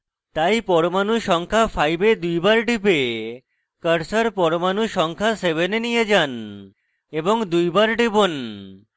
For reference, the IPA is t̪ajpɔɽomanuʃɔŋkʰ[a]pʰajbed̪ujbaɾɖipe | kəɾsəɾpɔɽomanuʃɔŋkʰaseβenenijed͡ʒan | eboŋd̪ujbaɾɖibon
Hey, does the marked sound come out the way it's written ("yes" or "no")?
yes